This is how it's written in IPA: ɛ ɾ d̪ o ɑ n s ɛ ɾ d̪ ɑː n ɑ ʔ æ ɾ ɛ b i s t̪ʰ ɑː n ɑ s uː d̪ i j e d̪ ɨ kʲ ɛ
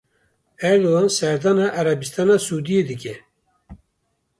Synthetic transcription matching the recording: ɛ ɾ d̪ o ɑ n s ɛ ɾ d̪ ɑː n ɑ ʔ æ ɾ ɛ b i s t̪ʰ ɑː n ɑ s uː d̪ i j e d̪ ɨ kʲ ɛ